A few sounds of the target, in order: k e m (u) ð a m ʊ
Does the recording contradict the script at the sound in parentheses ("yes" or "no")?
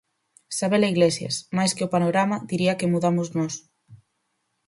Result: no